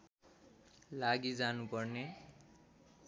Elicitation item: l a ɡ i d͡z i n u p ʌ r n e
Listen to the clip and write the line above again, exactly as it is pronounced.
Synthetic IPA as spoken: l a ɡ i d͡z a n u p ʌ r n e